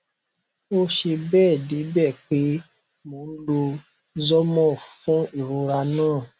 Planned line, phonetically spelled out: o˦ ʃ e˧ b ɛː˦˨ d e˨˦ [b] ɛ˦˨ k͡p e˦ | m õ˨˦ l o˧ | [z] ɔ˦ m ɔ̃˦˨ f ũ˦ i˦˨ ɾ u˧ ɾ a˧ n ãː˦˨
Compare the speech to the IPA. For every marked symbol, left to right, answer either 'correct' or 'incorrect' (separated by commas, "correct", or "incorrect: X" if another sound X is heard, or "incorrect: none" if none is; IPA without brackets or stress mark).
correct, correct